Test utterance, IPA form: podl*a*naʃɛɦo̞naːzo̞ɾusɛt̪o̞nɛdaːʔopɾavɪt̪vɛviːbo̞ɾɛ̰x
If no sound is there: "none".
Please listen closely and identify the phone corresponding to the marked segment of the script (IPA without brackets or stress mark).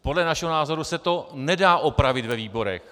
ɛ